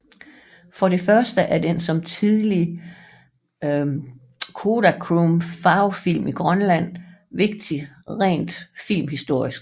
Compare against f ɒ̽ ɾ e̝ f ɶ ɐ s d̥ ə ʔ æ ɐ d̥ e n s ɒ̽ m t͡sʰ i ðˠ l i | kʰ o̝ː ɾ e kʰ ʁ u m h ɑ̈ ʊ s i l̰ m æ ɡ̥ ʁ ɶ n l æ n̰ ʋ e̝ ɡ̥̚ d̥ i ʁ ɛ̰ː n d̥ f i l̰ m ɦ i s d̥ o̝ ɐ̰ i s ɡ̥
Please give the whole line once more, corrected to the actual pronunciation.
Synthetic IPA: f ɒ̽ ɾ e̝ f ɶ ɐ s d̥ ə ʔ æ ɐ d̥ e n s ɒ̽ m t͡sʰ i ðˠ l i | kʰ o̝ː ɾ æ kʰ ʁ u m f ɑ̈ ʊ f i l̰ m i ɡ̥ ʁ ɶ n l æ n̰ ʋ e̝ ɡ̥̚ d̥ i ʁ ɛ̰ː n d̥ f i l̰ m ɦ i s d̥ o̝ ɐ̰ i s ɡ̥

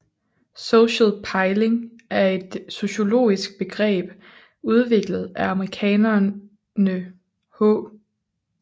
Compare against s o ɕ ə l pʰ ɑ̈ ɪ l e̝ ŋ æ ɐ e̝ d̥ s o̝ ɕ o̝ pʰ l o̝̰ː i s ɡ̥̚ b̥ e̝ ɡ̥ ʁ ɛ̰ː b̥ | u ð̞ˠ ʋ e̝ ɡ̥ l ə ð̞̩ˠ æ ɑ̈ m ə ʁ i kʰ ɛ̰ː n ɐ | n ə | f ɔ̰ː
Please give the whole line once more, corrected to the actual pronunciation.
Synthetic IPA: s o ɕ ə l pʰ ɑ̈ ɪ l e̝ ŋ æ ɐ e̝ d̥ s o̝ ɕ o̝ l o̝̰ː i s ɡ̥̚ b̥ e̝ ɡ̥ ʁ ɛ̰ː b̥ | u ð̞ˠ ʋ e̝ ɡ̥ l ə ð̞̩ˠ æ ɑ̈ m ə ʁ i kʰ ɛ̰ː n ɐ | n ə | h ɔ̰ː

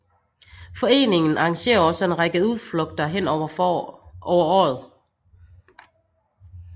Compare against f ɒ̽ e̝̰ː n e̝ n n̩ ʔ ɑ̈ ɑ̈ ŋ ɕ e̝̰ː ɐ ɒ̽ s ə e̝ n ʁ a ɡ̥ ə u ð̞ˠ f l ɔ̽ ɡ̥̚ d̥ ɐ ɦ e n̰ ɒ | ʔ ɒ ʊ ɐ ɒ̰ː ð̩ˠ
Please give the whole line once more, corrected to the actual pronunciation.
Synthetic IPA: f ɒ̽ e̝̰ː n e̝ ŋ n̩ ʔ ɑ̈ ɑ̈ ŋ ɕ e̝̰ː ɐ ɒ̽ s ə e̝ n ʁ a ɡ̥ ə u ð̞ˠ f l ɔ̽ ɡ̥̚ d̥ ɐ ɦ e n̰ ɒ | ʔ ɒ ʊ ɐ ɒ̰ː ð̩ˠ

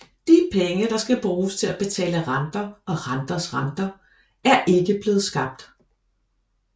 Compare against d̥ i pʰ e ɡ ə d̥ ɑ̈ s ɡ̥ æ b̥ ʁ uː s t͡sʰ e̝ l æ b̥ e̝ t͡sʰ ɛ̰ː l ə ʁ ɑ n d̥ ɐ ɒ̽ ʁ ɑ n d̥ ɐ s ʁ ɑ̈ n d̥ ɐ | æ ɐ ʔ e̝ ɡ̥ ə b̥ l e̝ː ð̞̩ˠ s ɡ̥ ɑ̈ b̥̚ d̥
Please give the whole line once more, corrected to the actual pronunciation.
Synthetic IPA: d̥ i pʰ e ŋ ə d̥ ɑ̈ s ɡ̥ æ b̥ ʁ uː s t͡sʰ e̝ l æ b̥ e̝ t͡sʰ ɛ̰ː l ə ʁ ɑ n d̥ ɐ ɒ̽ ʁ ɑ n d̥ ɐ s ʁ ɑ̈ n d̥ ɐ | æ ɐ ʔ e̝ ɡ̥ ə b̥ l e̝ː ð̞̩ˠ s ɡ̥ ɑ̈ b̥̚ d̥

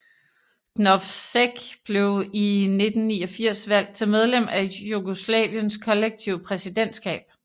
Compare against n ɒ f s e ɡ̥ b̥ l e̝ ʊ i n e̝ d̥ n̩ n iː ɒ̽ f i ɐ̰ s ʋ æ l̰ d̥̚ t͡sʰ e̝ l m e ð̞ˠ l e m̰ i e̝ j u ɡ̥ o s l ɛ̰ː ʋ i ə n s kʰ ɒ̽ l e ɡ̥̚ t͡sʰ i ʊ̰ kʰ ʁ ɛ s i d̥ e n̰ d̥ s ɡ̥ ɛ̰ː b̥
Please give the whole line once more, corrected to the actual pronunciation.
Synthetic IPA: n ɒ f s e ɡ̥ b̥ l e̝ ʊ i n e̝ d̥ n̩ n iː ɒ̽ f i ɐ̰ s ʋ æ l̰ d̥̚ t͡sʰ e̝ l m e ð̞ˠ l e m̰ æ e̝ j u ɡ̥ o s l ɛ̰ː ʋ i ə n s kʰ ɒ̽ l e ɡ̥̚ t͡sʰ i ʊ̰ pʰ ʁ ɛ s i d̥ e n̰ d̥ s ɡ̥ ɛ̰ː b̥

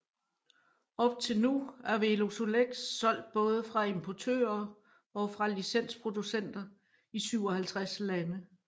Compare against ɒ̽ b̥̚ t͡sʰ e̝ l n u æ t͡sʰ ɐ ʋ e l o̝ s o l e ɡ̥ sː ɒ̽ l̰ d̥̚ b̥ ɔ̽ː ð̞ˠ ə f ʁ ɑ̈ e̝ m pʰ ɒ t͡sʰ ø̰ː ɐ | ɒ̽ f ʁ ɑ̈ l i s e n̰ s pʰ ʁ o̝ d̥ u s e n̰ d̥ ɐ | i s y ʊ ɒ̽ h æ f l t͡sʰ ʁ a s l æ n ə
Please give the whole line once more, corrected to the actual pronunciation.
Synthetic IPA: ɒ̽ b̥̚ t͡sʰ e̝ l n u æ ɐ ʋ e l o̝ s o l e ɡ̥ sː ɒ̽ l̰ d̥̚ b̥ ɔ̽ː ð̞ˠ ə f ʁ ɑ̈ e̝ m pʰ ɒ t͡sʰ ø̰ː ɐ | ɒ̽ f ʁ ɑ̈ l i s e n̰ s pʰ ʁ o̝ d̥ u s e n̰ d̥ ɐ | i s y ʊ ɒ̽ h æ l t͡sʰ ʁ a s l æ n ə

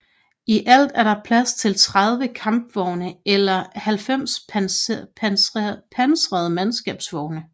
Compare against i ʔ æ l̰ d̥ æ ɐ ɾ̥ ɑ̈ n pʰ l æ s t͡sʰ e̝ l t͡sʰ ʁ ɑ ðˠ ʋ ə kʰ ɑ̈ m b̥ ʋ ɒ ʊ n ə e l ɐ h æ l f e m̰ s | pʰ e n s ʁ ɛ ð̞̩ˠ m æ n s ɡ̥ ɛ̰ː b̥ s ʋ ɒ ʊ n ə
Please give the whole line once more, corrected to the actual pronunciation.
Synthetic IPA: i ʔ æ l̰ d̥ æ ɐ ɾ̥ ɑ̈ pʰ l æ s t͡sʰ e̝ l t͡sʰ ʁ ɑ ðˠ ʋ ə kʰ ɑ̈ m b̥ ʋ ɒ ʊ n ə e l ɐ h æ l f e m̰ s | pʰ æ n s ʁ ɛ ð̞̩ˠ m æ n s ɡ̥ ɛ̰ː b̥ s ʋ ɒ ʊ n ə

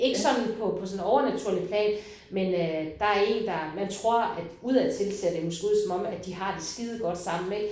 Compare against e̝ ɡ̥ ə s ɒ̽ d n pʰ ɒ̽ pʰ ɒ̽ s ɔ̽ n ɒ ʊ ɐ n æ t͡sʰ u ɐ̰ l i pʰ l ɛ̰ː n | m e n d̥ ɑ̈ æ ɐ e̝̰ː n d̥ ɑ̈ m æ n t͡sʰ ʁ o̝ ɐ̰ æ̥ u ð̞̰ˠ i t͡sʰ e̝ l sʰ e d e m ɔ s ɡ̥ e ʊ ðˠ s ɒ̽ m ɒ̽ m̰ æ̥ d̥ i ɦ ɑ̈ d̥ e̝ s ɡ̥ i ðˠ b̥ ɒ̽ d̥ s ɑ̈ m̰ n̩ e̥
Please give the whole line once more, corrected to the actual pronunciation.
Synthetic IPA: e̝ ɡ̥ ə s ɒ̽ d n pʰ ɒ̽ pʰ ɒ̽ s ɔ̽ n ɒ ʊ ɐ n æ t͡sʰ u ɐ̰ l i pʰ l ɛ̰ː n | m e n d̥ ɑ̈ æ ɐ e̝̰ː n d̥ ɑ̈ m æ n t͡sʰ ʁ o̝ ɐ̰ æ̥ u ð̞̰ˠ æ t͡sʰ e̝ l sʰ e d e m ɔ s ɡ̥ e u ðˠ s ɒ̽ m ɒ̽ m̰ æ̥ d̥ i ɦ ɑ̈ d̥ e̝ s ɡ̥ i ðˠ ɡ̥ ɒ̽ d̥ s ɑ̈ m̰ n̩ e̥

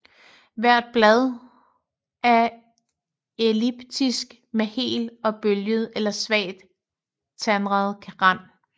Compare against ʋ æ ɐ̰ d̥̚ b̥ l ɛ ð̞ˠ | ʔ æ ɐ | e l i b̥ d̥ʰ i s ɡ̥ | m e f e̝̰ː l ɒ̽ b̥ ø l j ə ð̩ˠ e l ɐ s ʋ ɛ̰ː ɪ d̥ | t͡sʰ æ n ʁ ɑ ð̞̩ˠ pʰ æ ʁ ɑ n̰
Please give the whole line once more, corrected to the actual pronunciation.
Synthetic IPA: ʋ æ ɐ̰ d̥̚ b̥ l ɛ ð̞ˠ | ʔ æ ɐ | e l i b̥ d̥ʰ i s ɡ̥ | m e h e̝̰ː l ɒ̽ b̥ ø l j ə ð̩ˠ e l ɐ s ʋ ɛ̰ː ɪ d̥ | t͡sʰ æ n ʁ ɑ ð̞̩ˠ kʰ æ ʁ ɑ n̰

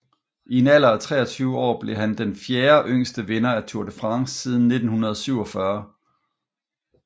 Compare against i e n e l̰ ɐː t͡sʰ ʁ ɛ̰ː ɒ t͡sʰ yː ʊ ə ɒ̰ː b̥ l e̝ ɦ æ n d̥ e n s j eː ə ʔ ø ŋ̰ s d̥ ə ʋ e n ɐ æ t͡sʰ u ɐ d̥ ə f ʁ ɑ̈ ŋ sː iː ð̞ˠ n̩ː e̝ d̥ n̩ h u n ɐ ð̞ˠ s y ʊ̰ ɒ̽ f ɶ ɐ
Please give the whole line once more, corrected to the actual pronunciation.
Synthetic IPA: i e n æ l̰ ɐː t͡sʰ ʁ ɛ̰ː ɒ t͡sʰ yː ʊ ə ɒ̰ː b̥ l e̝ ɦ æ n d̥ e n f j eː ɐ ʔ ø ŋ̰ s d̥ ə ʋ e n ɐ æ t͡sʰ u ɐ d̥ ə f ʁ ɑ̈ ŋ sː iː ð̞ˠ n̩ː e̝ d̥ n̩ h u n ɐ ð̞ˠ s y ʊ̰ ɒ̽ f ɶ ɐ

